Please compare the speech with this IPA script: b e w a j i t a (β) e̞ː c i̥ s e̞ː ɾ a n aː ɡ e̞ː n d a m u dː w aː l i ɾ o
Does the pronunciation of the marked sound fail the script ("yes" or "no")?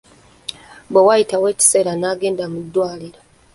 yes